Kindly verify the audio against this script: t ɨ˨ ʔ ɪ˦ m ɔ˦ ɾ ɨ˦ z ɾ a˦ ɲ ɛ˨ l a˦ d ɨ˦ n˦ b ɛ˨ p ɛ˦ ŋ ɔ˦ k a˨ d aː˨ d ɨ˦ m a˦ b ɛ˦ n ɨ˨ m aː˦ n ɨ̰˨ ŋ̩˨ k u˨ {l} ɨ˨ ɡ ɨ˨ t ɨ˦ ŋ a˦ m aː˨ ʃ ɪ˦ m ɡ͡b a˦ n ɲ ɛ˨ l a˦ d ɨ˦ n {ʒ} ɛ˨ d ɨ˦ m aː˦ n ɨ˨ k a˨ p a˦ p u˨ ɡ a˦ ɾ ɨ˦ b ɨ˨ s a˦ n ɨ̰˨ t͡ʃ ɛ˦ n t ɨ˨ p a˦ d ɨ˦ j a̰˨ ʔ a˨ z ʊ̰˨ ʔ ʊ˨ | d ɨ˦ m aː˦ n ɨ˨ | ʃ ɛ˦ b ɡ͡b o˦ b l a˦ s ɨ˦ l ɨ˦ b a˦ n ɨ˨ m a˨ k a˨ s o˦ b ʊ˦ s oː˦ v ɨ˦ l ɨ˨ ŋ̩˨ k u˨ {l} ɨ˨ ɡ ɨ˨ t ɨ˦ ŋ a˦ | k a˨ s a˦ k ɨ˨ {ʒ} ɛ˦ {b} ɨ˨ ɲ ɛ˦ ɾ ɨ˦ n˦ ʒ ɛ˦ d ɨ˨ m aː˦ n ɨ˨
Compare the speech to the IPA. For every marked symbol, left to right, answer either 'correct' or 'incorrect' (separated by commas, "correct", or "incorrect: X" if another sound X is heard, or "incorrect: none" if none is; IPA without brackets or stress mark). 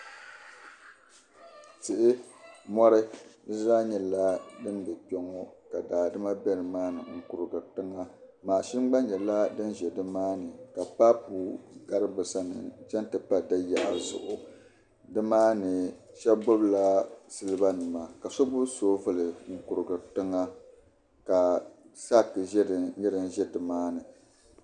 incorrect: ɾ, correct, incorrect: ɾ, correct, incorrect: d